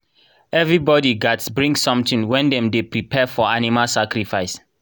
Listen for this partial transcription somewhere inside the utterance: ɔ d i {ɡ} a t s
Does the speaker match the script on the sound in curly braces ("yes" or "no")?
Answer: yes